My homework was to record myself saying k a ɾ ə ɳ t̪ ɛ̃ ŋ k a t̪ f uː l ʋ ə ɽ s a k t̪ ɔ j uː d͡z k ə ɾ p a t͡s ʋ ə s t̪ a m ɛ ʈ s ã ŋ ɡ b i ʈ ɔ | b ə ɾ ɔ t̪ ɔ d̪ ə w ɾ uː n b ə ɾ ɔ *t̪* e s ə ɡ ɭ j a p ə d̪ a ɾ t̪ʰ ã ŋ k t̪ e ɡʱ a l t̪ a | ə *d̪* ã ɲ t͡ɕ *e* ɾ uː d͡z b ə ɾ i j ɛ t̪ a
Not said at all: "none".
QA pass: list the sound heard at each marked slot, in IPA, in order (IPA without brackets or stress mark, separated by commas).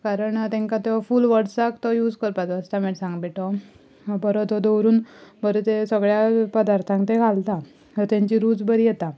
t̪, t̪, i